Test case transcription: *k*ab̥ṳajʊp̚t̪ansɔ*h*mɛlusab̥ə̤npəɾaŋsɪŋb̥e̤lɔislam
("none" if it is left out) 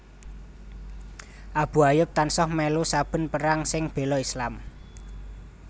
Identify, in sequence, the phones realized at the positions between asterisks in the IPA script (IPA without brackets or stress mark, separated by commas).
ʔ, h